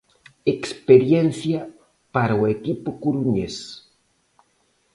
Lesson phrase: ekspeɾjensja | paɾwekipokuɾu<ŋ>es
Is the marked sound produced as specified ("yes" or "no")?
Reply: no